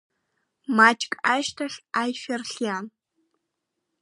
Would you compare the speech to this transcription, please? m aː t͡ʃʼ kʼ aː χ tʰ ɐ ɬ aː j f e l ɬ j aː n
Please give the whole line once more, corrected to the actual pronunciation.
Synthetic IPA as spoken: m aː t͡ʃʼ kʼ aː ʃ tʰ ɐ ɬ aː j f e r ɬ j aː n

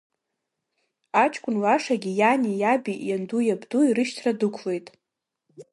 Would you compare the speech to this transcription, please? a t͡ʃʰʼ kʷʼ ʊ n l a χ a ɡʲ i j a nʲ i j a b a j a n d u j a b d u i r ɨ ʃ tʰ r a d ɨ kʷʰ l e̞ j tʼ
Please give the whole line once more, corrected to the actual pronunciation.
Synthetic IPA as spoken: a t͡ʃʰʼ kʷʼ ʊ n l a ʂ a ɡʲ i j a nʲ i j a b i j a n d u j a b d u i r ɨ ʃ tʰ r a d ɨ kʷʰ l e̞ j tʼ

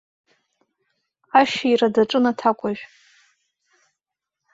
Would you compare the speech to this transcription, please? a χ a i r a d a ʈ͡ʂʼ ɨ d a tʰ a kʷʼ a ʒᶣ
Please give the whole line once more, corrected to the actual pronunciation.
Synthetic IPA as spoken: a ʃ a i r a d a ʈ͡ʂʼ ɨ n a tʰ a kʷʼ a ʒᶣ

